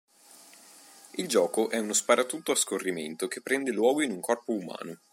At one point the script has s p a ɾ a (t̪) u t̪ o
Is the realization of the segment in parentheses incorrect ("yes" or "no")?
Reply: no